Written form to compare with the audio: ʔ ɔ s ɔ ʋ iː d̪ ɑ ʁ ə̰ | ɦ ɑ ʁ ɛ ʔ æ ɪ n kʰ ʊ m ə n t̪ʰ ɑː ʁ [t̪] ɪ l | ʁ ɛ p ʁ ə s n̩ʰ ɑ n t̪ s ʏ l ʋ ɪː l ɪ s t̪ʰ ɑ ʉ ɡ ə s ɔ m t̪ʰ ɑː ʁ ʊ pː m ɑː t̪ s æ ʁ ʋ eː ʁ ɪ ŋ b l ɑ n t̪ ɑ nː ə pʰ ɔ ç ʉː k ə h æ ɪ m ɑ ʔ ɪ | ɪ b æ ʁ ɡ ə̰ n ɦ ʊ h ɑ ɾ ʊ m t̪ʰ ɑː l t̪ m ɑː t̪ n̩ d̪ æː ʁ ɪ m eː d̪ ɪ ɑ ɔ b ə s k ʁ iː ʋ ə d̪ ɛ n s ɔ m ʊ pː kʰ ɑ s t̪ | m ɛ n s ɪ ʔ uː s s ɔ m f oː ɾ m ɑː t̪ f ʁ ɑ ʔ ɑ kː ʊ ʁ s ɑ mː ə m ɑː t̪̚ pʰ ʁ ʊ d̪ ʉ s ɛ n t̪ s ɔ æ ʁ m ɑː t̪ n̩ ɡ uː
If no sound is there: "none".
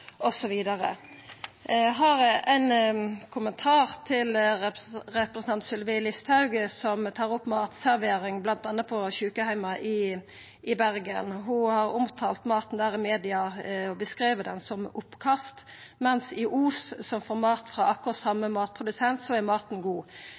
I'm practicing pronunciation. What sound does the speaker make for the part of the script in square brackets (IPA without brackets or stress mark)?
t̪ʰ